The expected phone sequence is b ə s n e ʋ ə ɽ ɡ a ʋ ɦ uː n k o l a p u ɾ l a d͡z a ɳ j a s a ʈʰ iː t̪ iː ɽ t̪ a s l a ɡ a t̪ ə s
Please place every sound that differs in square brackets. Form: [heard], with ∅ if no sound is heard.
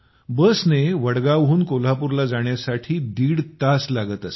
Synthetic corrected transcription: b ə s n e ʋ ə ɽ ɡ a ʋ ɦ uː n k o l a p u ɾ l a d͡z a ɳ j a s a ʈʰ iː [d̪] iː ɽ t̪ a s l a ɡ [ə] t̪ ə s